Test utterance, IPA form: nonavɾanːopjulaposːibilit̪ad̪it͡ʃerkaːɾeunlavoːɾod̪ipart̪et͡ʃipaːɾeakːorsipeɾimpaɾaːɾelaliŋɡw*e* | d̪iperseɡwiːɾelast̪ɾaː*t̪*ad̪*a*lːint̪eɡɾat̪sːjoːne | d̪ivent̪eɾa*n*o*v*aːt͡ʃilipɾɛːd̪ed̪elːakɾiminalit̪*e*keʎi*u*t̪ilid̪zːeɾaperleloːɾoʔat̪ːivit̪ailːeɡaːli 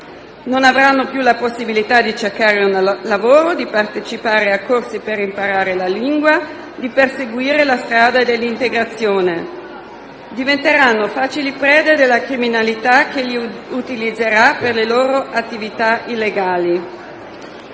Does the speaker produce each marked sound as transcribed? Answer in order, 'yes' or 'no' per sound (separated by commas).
no, no, no, no, no, no, yes